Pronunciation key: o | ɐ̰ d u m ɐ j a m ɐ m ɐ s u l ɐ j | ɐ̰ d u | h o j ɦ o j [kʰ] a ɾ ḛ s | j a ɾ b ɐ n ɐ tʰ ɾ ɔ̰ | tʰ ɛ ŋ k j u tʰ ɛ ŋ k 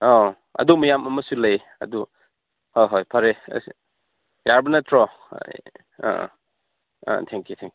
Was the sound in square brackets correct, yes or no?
no